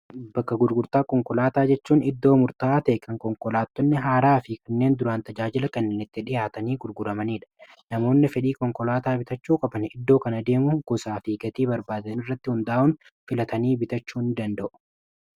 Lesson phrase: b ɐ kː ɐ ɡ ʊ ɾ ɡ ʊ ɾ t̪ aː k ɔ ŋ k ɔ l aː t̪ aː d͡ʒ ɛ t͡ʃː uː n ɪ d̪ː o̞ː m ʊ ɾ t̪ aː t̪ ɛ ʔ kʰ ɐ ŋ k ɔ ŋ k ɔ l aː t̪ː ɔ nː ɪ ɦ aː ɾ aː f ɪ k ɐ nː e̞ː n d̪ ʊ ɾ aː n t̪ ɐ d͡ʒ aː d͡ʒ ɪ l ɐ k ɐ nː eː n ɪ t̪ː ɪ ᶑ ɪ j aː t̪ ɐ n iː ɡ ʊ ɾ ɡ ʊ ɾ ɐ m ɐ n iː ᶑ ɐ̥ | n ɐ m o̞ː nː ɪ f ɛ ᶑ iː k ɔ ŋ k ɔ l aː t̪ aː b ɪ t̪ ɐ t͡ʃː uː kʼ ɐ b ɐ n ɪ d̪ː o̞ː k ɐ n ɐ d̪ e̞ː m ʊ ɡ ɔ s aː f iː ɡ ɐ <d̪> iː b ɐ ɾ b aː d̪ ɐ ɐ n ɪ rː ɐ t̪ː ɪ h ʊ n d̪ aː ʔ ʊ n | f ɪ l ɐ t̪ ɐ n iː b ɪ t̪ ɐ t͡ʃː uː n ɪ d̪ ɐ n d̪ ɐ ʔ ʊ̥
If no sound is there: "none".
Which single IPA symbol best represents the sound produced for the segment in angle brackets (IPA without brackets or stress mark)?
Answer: t̪